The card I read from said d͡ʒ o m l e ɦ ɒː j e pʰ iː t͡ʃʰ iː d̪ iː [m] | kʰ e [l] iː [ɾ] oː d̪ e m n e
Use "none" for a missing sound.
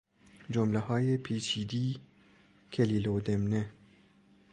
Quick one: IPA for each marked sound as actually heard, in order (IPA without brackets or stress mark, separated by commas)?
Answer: none, l, l